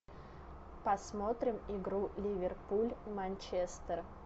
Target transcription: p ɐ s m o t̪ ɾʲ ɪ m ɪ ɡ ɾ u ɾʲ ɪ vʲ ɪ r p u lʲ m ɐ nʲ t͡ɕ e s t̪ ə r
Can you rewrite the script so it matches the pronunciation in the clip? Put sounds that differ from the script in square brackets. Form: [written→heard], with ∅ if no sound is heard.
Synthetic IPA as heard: p ɐ s m o t̪ ɾʲ ɪ m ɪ ɡ ɾ u [ɾʲ→lʲ] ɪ vʲ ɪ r p u lʲ m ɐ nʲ t͡ɕ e s t̪ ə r